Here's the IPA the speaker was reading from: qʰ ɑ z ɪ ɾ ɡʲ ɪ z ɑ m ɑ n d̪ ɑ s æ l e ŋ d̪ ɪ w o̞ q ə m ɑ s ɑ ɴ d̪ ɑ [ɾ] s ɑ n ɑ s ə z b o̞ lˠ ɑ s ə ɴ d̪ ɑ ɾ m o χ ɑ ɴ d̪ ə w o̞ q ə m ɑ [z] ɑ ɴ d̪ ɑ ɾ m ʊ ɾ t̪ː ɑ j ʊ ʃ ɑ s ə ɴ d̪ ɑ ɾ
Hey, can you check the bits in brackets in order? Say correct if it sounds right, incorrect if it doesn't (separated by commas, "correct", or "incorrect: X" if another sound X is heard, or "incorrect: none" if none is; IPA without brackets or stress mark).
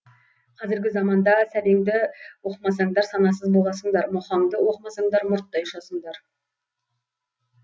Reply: correct, incorrect: s